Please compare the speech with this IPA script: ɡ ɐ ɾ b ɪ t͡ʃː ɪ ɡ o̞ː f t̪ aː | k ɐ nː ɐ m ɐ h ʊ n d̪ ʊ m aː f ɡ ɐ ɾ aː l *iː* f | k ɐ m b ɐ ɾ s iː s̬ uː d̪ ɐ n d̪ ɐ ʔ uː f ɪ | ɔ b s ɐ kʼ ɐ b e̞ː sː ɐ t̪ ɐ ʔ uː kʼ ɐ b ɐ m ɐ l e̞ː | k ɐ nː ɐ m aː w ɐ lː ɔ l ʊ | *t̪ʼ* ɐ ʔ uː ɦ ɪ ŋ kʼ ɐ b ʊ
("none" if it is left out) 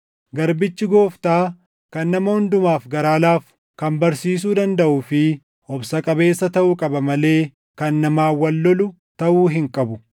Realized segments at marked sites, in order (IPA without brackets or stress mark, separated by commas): aː, t̪